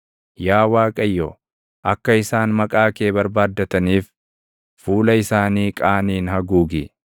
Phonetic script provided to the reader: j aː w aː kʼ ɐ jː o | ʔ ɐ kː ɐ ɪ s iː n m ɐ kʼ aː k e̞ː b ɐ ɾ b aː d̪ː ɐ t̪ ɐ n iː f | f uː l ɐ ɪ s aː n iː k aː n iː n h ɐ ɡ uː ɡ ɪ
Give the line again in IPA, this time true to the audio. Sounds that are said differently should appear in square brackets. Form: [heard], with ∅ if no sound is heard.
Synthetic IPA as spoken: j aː w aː kʼ ɐ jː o | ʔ ɐ kː ɐ ɪ s [aː] n m ɐ kʼ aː k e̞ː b ɐ ɾ b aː d̪ː ɐ t̪ ɐ n iː f | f uː l ɐ ɪ s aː n iː [kʼ] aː n iː n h ɐ ɡ uː ɡ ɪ